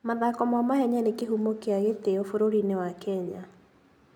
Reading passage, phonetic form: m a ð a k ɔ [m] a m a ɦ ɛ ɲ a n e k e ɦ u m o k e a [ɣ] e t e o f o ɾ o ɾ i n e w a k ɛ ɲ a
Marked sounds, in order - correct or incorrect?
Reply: correct, correct

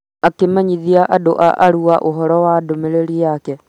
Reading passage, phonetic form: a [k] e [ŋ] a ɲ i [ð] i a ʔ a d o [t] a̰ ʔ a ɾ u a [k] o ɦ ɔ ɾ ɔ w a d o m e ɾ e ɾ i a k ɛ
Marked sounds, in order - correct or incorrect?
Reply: correct, incorrect: m, correct, incorrect: ʔ, incorrect: ʔ

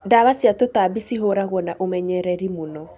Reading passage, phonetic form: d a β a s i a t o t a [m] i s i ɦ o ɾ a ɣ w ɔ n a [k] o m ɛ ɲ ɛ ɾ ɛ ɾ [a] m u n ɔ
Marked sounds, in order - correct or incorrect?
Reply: incorrect: b, incorrect: ʔ, incorrect: i

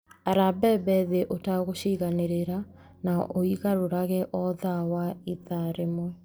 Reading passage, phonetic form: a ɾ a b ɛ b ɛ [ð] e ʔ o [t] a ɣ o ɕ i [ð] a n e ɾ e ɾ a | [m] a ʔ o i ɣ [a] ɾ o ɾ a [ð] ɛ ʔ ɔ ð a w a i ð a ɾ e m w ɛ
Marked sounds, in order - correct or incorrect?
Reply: correct, correct, incorrect: ɣ, incorrect: n, correct, incorrect: ɣ

